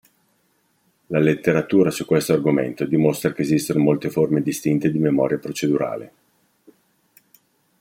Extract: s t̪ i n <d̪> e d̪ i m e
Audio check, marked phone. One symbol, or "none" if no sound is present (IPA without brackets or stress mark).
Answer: t̪